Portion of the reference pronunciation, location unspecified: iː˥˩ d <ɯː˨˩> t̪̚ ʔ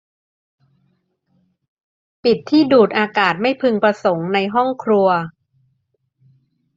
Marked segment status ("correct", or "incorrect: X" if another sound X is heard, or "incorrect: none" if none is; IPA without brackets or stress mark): incorrect: uː˨˩